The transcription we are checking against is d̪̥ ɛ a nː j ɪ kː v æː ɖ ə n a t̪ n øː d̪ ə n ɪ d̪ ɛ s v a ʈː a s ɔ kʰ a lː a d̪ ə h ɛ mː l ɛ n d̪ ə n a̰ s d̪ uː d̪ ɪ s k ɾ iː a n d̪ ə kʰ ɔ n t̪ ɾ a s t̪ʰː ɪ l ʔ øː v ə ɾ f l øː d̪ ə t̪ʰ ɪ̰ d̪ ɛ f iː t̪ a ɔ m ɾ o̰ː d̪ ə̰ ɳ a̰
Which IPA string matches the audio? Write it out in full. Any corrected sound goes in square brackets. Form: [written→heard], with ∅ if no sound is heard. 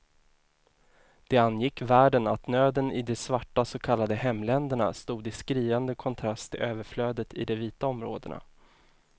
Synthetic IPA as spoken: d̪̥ ɛ a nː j ɪ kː v æː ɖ ə n a t̪ n øː d̪ ə n ɪ d̪ ɛ s v a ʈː a s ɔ kʰ a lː a d̪ ə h ɛ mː l ɛ n d̪ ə [n→ɳ] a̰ s [d̪→t̪] uː d̪ ɪ s k ɾ iː a n d̪ ə kʰ ɔ n [t̪→t̪ʰ] ɾ a s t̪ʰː ɪ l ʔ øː v ə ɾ f l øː d̪ ə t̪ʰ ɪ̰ d̪ ɛ [f→v] iː t̪ a ɔ m ɾ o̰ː d̪ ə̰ ɳ a̰